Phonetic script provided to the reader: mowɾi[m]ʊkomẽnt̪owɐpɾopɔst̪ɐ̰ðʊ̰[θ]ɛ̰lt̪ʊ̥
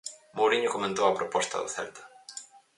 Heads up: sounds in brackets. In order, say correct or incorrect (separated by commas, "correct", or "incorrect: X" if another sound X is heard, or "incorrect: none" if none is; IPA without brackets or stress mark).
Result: incorrect: ɲ, correct